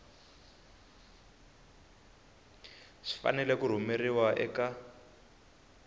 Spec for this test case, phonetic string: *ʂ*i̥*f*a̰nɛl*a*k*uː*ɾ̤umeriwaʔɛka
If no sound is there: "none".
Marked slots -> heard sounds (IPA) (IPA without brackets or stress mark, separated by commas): ʂ, f, ɛ, u